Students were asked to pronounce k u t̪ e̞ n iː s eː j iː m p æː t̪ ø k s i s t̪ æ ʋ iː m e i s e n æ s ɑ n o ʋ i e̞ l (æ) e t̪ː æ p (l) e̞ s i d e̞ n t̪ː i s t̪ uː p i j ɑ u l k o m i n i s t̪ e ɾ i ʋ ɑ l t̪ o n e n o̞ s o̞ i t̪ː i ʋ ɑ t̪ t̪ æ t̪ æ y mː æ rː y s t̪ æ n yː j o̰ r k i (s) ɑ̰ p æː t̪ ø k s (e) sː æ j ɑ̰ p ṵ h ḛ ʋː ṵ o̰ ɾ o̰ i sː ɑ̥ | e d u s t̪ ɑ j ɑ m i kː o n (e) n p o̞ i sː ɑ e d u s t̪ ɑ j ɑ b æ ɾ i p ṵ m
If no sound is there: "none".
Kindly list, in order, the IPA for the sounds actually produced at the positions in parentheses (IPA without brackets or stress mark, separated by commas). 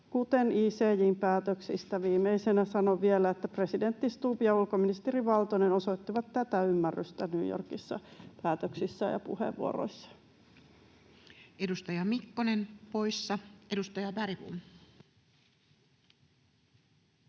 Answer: æ, r, sː, i, e